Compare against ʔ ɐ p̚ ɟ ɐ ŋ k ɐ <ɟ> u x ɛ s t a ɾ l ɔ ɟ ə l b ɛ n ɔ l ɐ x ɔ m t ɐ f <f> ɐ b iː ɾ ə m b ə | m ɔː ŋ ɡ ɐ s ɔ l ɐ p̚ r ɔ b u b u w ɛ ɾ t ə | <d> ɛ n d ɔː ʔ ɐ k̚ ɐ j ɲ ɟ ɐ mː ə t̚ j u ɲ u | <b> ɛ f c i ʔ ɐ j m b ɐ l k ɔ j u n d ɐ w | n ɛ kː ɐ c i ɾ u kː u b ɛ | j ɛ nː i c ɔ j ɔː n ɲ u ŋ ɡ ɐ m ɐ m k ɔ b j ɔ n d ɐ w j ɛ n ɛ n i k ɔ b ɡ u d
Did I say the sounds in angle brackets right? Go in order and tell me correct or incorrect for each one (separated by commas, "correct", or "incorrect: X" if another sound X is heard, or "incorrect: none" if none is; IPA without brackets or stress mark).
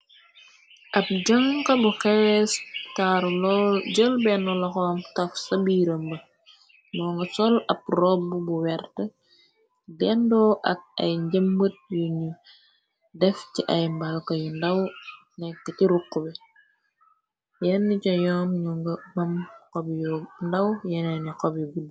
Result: incorrect: b, incorrect: s, correct, incorrect: d